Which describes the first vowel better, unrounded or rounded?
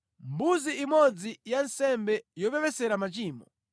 rounded